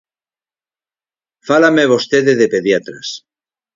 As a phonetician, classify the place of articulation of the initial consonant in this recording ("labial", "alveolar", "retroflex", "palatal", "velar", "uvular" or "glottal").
labial